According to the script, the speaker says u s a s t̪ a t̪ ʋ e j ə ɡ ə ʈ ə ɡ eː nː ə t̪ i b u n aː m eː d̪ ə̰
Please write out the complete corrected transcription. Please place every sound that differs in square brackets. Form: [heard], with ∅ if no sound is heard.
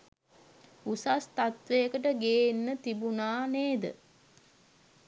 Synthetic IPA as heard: u s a s t̪ a t̪ ʋ e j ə [k] ə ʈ ə ɡ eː nː ə t̪ i b u n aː [n] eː d̪ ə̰